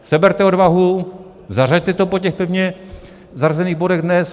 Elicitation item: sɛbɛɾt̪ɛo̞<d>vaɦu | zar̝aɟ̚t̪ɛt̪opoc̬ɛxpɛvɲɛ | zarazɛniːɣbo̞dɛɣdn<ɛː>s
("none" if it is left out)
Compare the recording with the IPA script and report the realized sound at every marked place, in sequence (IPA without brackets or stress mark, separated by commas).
d, ɛ